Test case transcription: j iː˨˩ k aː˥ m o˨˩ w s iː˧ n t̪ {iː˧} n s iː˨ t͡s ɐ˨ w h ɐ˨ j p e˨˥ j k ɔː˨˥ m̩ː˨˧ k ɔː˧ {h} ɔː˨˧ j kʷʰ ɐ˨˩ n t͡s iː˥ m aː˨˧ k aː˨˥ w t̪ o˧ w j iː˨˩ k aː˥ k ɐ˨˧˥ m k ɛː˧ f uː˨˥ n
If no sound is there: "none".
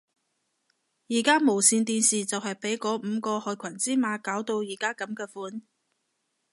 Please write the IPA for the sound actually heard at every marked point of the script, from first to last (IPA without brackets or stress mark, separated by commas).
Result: iː˧, h